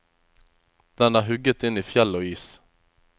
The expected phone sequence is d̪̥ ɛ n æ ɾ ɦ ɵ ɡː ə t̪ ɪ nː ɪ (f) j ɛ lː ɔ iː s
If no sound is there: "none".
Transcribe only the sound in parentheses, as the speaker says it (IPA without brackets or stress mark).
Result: f